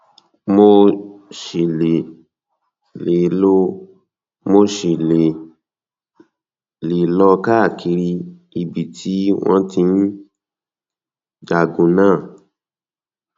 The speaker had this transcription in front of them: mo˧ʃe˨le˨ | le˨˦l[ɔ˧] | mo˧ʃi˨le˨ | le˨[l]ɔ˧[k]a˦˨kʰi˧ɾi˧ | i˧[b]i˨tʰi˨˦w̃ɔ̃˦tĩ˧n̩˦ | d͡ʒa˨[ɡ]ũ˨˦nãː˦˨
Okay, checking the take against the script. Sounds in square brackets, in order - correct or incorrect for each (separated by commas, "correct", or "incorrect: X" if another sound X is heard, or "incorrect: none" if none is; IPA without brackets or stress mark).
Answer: incorrect: o˧, correct, correct, correct, correct